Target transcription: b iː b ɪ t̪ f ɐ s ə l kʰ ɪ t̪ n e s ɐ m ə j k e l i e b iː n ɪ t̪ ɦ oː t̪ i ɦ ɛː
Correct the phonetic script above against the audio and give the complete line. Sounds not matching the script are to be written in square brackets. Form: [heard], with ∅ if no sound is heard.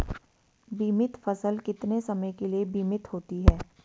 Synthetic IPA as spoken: b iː [m] ɪ t̪ f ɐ s ə l [k] ɪ t̪ n e s ɐ m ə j k e l i e b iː [m] ɪ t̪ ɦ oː t̪ i ɦ ɛː

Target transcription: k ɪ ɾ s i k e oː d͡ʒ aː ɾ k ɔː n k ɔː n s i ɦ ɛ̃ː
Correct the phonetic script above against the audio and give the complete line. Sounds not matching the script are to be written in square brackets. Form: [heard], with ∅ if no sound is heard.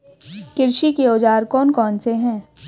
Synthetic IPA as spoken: k ɪ ɾ [ʃ] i k e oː d͡ʒ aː ɾ k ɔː n k ɔː n s [e] ɦ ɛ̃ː

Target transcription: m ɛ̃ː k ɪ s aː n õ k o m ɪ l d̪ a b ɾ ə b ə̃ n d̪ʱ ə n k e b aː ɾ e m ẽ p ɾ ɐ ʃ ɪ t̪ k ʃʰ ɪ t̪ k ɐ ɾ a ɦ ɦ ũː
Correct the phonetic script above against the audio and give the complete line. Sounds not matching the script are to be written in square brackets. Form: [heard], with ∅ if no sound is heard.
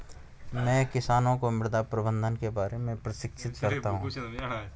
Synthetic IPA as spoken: m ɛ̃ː k ɪ s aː n õ k o m ɪ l d̪ a [p] ɾ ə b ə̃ n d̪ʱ ə n k e b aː ɾ e m ẽ p ɾ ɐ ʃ ɪ [∅] k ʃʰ ɪ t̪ k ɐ ɾ a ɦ ɦ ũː

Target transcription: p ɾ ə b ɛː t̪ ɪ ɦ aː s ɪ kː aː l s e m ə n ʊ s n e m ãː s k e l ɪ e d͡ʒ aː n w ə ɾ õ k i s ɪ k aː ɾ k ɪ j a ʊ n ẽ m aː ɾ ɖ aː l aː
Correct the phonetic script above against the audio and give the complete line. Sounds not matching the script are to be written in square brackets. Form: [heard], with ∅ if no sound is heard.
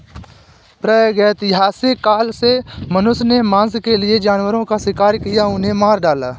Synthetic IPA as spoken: p ɾ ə [ɡ] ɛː t̪ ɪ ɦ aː s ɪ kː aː l s e m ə n ʊ s n e m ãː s k e l ɪ e d͡ʒ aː n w ə ɾ õ k [a] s ɪ k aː ɾ k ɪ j a ʊ n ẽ m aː ɾ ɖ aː l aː

